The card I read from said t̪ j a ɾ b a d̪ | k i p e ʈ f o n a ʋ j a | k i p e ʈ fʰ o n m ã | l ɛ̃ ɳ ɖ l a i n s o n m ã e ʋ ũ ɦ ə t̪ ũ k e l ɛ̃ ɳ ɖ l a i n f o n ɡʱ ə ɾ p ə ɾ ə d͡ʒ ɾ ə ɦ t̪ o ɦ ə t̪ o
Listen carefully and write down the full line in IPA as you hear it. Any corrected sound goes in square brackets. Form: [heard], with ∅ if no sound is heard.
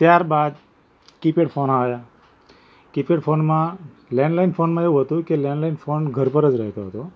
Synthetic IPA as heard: t̪ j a ɾ b a d̪ | k i p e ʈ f o n a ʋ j a | k i p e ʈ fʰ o n m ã | l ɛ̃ ɳ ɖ l a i n [f] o n m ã e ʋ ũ ɦ ə t̪ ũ k e l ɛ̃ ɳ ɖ l a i n f o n ɡʱ ə ɾ p ə ɾ ə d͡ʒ ɾ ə ɦ t̪ o ɦ ə t̪ o

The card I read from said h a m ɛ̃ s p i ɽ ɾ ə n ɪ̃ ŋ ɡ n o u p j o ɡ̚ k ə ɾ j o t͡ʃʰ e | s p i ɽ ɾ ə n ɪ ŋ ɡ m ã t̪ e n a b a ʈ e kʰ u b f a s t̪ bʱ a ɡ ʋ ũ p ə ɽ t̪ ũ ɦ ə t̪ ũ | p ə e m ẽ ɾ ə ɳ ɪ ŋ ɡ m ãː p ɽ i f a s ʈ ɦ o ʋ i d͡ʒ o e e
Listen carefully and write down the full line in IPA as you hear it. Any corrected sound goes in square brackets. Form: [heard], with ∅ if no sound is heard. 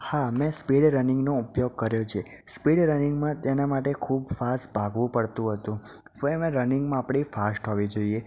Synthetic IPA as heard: h a m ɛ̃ s p i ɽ ɾ ə n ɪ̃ ŋ ɡ n o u p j o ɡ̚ k ə ɾ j o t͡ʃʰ e | s p i ɽ ɾ ə n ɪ ŋ ɡ m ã t̪ e n a [m] a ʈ e kʰ u b f a s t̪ bʱ a ɡ ʋ ũ p ə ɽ t̪ ũ ɦ ə t̪ ũ | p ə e m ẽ ɾ ə [n] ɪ ŋ ɡ m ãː p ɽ i f a s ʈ ɦ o ʋ i d͡ʒ o [i] e

